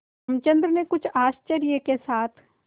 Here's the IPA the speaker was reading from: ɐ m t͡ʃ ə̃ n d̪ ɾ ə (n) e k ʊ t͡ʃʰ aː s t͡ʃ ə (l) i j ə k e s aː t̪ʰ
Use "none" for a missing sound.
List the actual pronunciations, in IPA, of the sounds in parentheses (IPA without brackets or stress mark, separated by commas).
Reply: n, ɾ